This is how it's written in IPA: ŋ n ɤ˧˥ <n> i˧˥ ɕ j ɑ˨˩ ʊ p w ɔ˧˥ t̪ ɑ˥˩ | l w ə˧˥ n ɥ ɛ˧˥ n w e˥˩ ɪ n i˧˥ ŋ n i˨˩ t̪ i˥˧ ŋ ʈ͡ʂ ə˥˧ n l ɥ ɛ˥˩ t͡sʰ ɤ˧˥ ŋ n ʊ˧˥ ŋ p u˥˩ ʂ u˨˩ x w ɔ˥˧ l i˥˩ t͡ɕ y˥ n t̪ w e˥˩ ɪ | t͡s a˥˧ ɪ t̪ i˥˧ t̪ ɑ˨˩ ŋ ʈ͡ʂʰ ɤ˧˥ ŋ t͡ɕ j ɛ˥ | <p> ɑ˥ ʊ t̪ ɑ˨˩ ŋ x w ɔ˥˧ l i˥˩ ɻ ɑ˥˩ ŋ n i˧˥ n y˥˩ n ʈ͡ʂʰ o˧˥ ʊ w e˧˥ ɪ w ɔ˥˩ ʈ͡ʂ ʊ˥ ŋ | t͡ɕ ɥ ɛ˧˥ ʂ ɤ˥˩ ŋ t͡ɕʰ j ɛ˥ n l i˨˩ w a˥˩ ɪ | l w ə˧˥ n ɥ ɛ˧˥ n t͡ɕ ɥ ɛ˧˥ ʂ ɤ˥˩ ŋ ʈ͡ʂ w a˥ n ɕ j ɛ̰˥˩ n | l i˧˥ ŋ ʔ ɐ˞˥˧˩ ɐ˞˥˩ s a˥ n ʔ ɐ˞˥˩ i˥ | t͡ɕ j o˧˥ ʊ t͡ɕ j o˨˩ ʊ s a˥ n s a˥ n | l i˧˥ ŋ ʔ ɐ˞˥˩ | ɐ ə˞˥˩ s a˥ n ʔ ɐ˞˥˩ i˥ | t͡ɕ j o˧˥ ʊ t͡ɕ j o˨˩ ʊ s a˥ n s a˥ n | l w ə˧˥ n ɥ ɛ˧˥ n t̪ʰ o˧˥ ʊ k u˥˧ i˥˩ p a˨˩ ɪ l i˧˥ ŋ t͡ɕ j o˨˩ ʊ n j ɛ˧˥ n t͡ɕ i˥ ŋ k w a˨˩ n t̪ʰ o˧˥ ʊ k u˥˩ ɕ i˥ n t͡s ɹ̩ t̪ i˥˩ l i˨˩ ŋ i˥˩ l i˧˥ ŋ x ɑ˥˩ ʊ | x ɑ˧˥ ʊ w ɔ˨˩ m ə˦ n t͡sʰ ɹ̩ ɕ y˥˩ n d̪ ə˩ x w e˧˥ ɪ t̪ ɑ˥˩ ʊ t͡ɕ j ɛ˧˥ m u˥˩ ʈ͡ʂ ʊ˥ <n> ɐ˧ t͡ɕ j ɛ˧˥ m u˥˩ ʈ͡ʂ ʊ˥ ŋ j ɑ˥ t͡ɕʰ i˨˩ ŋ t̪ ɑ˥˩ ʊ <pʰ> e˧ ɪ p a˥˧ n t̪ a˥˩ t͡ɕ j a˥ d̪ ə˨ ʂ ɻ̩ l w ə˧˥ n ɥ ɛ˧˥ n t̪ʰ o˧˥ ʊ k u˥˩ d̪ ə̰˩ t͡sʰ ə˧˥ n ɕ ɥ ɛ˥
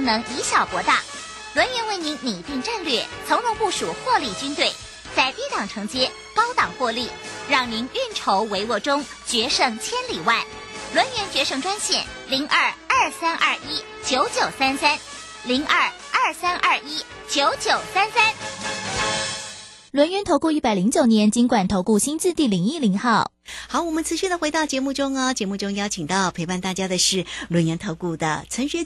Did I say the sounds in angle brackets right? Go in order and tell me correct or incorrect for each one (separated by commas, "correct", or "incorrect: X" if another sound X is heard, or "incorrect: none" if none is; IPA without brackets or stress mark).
incorrect: ŋ, incorrect: k, incorrect: ŋ, correct